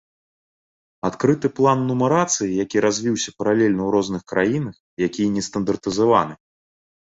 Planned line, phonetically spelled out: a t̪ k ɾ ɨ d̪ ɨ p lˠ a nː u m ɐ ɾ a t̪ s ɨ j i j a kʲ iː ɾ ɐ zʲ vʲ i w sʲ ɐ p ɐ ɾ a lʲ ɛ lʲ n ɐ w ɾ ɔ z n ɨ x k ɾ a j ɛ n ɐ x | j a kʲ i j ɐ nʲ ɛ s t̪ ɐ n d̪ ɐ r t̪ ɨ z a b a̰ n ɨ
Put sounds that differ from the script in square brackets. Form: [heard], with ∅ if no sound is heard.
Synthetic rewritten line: a t̪ k ɾ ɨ [t̪] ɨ p lˠ a nː u m ɐ ɾ a t̪ s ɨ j i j a kʲ [i] ɾ [a] zʲ vʲ i w sʲ ɐ p ɐ ɾ a lʲ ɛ lʲ n ɐ w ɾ ɔ z n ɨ x k ɾ a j [i] n ɐ x | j a kʲ i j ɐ nʲ ɛ s t̪ ɐ n d̪ ɐ r t̪ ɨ z a [v] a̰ n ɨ